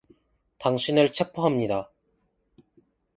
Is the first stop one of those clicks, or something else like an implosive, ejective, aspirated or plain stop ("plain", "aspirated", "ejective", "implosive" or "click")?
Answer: plain